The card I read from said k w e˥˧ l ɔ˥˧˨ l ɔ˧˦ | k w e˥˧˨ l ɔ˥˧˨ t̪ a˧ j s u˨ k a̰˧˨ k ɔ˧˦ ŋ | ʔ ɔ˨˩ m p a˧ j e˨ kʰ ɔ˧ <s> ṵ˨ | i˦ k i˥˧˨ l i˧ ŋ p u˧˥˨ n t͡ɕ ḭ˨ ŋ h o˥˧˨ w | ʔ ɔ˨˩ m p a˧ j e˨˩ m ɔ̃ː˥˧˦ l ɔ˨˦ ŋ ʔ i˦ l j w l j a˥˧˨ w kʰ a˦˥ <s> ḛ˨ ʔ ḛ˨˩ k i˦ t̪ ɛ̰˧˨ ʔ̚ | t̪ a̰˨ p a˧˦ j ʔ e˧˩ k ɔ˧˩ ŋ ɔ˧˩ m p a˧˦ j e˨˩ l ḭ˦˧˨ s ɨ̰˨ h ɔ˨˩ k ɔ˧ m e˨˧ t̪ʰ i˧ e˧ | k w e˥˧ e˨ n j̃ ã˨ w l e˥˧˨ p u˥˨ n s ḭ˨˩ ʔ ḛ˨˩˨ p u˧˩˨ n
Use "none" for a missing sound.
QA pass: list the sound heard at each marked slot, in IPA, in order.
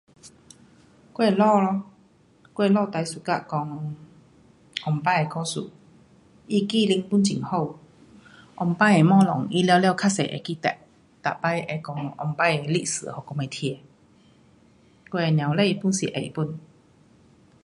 s, s

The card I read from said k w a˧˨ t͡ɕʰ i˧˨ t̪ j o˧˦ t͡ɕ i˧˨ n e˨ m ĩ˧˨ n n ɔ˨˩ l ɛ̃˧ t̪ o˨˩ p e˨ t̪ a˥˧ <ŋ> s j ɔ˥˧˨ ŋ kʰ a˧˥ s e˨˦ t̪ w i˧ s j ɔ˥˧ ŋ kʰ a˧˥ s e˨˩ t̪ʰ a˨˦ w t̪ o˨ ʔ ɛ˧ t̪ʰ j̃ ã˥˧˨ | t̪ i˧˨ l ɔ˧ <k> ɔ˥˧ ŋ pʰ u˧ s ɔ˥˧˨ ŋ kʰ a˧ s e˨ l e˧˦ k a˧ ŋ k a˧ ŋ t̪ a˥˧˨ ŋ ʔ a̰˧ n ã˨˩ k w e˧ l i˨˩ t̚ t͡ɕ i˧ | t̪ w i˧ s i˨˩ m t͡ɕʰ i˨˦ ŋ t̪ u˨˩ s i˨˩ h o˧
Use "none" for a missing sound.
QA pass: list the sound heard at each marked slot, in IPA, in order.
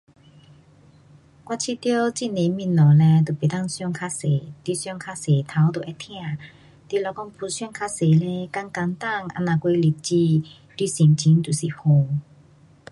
ŋ, k

